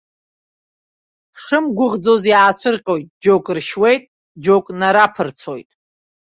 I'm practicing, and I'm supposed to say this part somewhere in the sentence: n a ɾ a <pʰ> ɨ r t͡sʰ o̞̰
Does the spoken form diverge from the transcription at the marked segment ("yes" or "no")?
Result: no